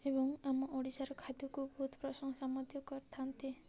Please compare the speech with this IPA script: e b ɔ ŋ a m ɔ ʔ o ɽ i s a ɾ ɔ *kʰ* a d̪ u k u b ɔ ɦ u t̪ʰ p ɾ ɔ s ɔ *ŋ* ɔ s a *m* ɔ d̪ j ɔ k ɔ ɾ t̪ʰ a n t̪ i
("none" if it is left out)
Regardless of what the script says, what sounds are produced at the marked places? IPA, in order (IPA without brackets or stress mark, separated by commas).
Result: kʰ, ŋ, m